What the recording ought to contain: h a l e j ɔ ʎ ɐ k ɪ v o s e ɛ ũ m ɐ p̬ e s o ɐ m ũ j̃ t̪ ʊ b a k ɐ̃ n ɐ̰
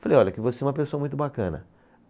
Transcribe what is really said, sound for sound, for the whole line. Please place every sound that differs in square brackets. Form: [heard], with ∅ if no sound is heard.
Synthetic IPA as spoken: [f] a l e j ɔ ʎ ɐ k ɪ v o s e ɛ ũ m ɐ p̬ e s o ɐ m ũ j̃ t̪ ʊ b a k ɐ̃ n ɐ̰